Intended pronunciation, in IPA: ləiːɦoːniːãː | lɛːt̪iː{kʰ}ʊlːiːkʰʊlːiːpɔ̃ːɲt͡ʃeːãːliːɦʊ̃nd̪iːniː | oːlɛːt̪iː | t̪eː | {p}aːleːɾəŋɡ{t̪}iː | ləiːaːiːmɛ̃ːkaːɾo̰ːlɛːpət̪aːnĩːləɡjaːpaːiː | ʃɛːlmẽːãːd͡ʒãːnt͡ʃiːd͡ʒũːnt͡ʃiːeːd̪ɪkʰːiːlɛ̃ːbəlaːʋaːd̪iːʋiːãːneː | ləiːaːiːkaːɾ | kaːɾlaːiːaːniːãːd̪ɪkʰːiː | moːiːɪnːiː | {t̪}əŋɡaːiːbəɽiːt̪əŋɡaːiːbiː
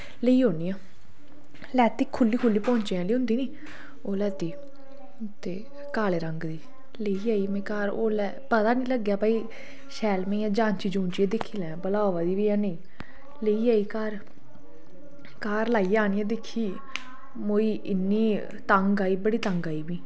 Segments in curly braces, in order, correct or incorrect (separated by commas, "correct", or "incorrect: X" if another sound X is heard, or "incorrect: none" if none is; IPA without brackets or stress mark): correct, incorrect: k, incorrect: d̪, correct